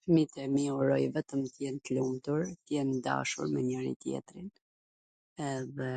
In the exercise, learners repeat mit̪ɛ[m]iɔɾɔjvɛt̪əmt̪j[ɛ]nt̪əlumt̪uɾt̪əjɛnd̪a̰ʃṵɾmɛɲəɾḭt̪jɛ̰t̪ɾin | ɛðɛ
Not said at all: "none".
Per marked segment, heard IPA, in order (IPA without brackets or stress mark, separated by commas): m, ɛ